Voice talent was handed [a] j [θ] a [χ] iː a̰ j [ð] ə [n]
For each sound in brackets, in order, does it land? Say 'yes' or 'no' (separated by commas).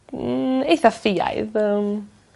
no, yes, no, yes, no